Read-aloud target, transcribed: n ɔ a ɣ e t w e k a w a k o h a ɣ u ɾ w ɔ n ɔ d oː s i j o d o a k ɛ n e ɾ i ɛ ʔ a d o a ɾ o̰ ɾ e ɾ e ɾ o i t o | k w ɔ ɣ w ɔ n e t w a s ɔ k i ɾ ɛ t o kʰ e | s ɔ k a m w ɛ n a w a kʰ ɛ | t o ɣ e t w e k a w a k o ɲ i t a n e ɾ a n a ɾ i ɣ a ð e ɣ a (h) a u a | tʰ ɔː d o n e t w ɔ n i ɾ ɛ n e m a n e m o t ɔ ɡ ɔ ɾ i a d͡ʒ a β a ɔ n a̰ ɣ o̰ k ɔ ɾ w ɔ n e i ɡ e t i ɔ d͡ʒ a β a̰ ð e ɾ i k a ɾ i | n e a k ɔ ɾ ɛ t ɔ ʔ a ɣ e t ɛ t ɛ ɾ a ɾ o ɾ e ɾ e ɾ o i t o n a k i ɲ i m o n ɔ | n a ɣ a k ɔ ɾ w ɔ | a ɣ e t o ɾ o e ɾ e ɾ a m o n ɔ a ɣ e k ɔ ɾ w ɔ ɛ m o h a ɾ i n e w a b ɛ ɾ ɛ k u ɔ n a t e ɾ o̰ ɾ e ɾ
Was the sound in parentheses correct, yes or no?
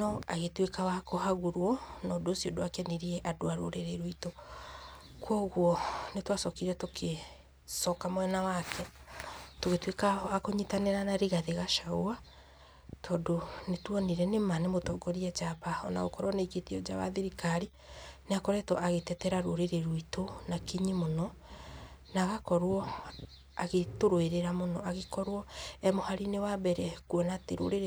no